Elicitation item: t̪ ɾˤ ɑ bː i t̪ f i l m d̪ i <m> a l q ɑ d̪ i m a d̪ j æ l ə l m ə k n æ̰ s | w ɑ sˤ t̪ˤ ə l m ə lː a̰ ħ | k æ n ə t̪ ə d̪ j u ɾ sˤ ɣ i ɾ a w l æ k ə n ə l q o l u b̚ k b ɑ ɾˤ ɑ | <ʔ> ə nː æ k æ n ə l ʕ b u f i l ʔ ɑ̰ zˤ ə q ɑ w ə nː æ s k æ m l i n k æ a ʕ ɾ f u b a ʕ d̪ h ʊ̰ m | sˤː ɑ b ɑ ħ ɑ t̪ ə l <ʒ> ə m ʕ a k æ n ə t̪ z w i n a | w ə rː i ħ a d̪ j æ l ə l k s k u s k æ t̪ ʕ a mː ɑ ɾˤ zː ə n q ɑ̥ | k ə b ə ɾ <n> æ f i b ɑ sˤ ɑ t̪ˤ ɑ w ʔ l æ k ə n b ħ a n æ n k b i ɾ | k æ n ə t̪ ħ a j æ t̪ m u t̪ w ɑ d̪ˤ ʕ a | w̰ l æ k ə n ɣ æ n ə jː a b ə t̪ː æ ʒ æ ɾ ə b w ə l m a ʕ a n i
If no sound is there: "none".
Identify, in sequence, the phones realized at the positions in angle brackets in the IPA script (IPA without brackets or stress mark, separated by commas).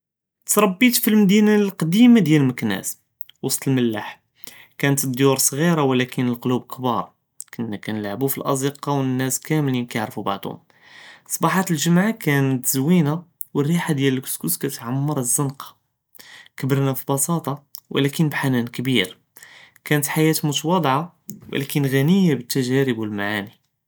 n, k, ʒ, n